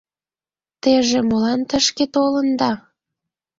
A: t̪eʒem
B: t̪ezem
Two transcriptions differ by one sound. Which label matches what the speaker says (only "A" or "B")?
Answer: A